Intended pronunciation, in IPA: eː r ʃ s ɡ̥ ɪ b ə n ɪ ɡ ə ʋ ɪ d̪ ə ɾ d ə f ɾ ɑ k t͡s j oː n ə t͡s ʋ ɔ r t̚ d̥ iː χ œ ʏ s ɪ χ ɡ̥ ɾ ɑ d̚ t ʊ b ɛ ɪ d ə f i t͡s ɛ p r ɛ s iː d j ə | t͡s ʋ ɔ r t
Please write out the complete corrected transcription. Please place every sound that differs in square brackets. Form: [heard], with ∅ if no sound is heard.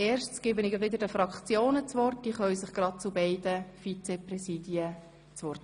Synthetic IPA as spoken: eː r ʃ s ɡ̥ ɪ b ə n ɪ ɡ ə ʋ ɪ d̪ ə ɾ d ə f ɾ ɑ k t͡s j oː n ə t͡s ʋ ɔ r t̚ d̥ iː χ œ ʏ s ɪ χ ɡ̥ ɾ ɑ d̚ [t͡s] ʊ b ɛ ɪ d ə f i t͡s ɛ p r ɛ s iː d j ə | t͡s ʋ ɔ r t